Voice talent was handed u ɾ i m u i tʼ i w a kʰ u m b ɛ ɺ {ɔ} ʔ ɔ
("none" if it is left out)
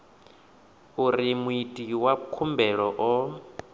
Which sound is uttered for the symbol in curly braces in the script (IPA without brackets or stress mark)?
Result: ɔ